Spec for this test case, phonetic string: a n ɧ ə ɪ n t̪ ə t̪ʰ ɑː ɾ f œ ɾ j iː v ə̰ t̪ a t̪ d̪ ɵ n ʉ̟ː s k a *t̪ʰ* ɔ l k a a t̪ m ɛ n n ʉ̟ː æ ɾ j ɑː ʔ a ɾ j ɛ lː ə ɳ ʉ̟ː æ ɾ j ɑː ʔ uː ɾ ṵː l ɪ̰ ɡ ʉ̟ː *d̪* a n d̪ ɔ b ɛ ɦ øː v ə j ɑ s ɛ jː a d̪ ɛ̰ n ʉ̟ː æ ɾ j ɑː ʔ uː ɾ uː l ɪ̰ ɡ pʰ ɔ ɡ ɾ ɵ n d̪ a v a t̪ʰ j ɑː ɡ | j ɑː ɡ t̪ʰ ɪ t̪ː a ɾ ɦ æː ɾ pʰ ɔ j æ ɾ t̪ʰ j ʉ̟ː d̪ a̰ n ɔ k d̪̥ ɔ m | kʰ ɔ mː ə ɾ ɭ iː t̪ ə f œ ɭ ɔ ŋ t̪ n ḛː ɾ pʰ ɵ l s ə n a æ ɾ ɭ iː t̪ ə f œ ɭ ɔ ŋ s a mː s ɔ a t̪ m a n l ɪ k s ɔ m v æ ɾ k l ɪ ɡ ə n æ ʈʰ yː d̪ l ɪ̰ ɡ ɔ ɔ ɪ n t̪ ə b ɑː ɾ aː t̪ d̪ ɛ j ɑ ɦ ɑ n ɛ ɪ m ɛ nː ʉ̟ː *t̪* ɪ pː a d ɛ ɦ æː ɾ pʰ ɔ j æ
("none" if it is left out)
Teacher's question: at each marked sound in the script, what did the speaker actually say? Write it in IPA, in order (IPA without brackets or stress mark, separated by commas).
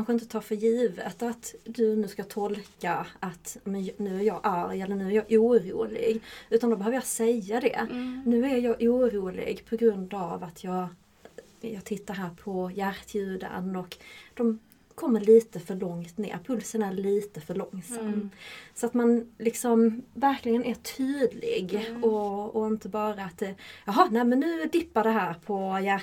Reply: t̪ʰ, t̪, d̪